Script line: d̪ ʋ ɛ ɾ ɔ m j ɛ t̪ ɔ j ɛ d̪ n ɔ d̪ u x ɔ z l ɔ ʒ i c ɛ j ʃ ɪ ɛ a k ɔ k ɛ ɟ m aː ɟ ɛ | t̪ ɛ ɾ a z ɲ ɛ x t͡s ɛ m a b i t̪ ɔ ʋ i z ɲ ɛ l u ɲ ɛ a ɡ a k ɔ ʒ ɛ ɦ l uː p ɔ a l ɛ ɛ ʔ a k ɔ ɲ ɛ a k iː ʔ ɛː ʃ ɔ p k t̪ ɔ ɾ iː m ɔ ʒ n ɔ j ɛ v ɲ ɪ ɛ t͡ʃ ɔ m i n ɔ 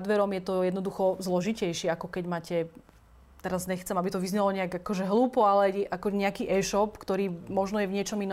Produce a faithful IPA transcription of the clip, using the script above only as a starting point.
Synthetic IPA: d̪ ʋ ɛ ɾ ɔ m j ɛ t̪ ɔ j ɛ d̪ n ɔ d̪ u x ɔ z l ɔ ʒ i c ɛ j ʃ ɪ ɛ a k ɔ k ɛ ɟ m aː c ɛ | t̪ ɛ ɾ a z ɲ ɛ x t͡s ɛ m a b i t̪ ɔ ʋ i z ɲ ɛ l ɔ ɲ ɛ a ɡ a k ɔ ʒ ɛ ɦ l uː p ɔ a l ɛ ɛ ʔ a k ɔ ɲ ɛ a k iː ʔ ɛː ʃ ɔ p k t̪ ɔ ɾ iː m ɔ ʒ n ɔ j ɛ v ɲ ɪ ɛ t͡ʃ ɔ m i n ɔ